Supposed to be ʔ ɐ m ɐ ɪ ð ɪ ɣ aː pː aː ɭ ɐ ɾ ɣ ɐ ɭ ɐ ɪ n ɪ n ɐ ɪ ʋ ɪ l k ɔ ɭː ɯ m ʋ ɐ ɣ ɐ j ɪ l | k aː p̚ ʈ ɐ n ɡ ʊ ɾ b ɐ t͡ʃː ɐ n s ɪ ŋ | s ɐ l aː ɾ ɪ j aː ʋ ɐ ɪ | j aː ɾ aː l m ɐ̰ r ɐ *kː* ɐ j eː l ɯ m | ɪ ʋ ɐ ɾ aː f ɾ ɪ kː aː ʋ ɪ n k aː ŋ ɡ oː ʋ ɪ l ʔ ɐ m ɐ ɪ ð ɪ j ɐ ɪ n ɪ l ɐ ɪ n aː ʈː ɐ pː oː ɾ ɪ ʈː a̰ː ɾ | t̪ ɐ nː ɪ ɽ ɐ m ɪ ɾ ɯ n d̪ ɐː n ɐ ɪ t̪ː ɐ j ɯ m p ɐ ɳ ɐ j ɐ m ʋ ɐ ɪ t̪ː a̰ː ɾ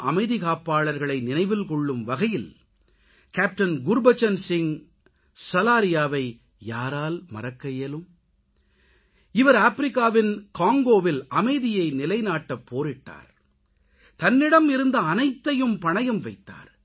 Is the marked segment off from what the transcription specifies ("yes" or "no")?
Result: no